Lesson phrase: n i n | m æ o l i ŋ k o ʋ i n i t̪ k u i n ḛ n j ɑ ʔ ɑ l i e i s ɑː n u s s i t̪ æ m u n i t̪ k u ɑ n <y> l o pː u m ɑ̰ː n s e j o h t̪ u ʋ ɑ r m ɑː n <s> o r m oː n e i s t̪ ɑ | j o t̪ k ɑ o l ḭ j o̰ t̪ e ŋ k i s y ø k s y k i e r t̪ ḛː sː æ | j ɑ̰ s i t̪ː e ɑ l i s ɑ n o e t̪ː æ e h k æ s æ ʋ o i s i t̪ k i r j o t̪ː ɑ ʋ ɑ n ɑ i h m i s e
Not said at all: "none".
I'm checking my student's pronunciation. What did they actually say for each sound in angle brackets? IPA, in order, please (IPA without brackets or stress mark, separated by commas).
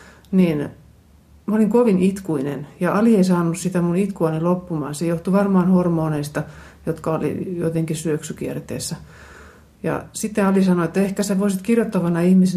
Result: i, h